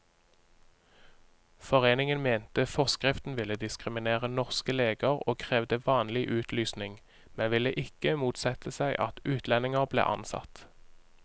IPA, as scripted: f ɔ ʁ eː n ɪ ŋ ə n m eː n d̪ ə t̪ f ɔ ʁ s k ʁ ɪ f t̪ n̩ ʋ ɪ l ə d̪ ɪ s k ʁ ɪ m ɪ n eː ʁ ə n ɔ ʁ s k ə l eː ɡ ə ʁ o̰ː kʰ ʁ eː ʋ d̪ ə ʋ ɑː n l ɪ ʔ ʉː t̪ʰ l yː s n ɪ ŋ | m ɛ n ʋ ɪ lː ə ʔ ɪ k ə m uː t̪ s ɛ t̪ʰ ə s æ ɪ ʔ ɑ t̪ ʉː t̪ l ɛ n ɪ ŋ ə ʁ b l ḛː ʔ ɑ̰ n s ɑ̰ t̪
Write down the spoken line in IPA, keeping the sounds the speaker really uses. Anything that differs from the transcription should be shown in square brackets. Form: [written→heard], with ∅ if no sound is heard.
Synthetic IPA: f ɔ ʁ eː n ɪ ŋ ə n m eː n [d̪→t̪] ə [t̪→∅] f ɔ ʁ s k ʁ ɪ f t̪ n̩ ʋ ɪ l ə d̪ ɪ s k ʁ ɪ m ɪ n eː ʁ ə n ɔ ʁ s k ə l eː ɡ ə ʁ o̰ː kʰ ʁ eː ʋ d̪ ə ʋ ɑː n l ɪ ʔ ʉː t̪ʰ l yː s n ɪ ŋ | m ɛ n ʋ ɪ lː ə ʔ ɪ k ə m uː t̪ s ɛ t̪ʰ ə s æ ɪ ʔ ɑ t̪ ʉː t̪ l ɛ n ɪ ŋ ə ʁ b l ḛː ʔ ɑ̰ n s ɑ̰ t̪